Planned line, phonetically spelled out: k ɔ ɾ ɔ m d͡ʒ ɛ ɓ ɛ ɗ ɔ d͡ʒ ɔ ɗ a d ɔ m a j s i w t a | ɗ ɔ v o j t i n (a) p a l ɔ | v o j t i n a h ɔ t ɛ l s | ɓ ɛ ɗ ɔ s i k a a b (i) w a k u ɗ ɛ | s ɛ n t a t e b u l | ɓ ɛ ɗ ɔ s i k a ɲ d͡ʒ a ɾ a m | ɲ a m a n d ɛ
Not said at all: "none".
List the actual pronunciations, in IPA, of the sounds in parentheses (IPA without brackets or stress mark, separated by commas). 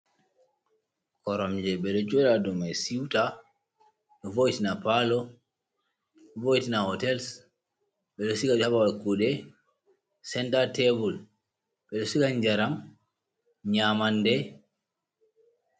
a, a